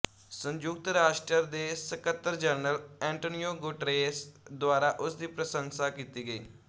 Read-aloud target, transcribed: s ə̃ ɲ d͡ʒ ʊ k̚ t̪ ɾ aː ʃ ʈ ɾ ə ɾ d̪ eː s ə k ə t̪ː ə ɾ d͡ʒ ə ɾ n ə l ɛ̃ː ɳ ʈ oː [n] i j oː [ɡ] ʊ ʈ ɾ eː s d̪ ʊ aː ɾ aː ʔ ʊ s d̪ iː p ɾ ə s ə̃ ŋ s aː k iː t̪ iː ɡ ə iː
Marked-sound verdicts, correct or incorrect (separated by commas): correct, correct